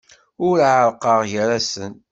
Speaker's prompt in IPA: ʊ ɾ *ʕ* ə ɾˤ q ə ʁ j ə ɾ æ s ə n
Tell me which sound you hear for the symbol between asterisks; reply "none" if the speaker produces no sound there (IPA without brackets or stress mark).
ʕ